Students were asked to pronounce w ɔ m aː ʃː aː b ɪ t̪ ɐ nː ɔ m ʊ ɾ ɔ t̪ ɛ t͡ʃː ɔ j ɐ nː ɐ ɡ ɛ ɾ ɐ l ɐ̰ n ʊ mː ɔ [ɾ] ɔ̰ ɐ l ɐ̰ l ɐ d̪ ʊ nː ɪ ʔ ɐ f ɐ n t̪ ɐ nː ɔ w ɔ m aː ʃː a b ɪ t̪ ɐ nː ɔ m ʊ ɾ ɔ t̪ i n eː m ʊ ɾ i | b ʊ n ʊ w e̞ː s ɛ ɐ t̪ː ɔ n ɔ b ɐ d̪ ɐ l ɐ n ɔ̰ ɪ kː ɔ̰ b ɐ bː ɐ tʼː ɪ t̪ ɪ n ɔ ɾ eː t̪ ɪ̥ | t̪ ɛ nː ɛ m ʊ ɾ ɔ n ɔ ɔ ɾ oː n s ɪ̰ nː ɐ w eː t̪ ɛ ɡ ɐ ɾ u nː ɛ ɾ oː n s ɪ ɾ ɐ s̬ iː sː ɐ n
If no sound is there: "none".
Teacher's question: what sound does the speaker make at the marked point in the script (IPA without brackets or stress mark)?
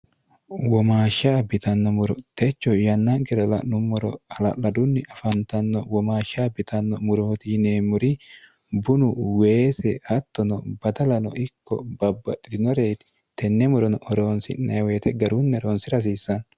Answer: ɾ